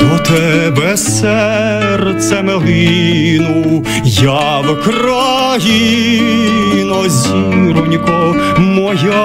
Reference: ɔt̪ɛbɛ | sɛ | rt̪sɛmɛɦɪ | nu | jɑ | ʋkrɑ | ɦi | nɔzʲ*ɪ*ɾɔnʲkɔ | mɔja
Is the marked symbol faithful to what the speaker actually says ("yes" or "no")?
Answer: no